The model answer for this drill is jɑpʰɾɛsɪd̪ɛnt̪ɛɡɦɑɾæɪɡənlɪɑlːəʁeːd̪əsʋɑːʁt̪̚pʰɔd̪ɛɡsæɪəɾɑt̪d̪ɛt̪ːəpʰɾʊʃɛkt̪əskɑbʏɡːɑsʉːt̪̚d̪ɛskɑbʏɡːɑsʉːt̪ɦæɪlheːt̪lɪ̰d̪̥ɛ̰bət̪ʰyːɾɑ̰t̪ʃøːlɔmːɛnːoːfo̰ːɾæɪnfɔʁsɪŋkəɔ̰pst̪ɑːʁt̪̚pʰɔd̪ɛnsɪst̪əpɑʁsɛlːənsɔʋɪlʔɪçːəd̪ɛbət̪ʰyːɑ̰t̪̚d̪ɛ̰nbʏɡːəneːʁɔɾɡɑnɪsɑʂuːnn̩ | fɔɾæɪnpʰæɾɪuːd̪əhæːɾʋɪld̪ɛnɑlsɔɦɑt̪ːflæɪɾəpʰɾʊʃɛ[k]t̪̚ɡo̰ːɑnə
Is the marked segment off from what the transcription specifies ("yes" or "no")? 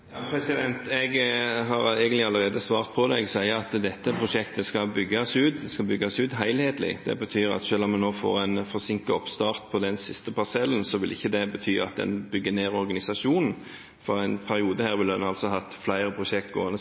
no